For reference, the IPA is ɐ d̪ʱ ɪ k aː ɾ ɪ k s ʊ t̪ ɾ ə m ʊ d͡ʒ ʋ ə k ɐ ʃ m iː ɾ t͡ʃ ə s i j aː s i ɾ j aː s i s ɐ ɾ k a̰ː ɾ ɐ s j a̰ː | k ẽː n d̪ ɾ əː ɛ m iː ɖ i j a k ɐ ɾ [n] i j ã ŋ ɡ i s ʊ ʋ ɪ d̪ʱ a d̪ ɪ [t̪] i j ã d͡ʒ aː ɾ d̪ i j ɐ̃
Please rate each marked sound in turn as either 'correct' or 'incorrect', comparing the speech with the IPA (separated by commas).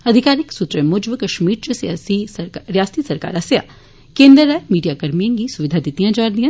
incorrect, correct